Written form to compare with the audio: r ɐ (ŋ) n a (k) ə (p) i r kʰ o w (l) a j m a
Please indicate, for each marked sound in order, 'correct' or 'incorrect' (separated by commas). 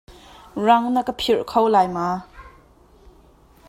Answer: correct, correct, incorrect, correct